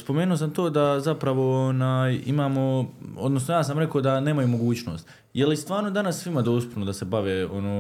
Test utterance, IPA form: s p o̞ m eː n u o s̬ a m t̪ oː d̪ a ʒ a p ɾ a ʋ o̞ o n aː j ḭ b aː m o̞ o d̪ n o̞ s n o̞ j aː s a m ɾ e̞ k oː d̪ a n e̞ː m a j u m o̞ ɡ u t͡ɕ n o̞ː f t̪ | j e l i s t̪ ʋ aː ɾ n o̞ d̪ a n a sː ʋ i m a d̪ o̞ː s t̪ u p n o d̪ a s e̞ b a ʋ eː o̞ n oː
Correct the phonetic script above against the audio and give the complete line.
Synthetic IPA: s p o̞ m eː n u o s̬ a m t̪ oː d̪ a z a p ɾ a ʋ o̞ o n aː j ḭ m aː m o̞ o d̪ n o̞ s n o̞ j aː s a m ɾ e̞ k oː d̪ a n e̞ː m a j u m o̞ ɡ uː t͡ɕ n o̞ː s t̪ | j e l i s t̪ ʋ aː ɾ n o̞ d̪ a n a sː ʋ i m a d̪ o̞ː s t̪ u p n o d̪ a s e̞ b a ʋ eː o̞ n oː